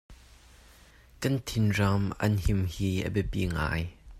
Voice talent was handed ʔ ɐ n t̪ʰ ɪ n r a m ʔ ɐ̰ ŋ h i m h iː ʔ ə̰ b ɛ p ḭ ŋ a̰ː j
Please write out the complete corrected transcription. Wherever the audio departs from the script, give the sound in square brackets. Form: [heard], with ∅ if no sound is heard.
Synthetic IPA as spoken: [k] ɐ n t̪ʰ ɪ n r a m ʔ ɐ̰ [n] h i m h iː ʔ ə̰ b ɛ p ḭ ŋ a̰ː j